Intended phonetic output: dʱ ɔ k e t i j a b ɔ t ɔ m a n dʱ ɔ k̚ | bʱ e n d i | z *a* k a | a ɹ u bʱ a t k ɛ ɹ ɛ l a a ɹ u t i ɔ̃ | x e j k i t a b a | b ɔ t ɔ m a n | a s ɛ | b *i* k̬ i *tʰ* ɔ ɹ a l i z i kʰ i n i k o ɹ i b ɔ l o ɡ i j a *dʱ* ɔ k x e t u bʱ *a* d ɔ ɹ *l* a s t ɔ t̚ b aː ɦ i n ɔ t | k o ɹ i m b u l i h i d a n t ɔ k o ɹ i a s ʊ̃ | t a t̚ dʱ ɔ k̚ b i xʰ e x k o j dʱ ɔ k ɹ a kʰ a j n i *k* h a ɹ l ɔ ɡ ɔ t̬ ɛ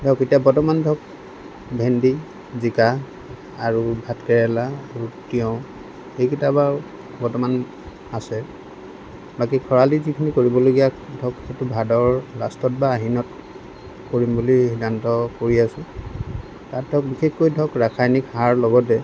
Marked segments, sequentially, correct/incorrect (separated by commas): incorrect, incorrect, incorrect, correct, correct, correct, correct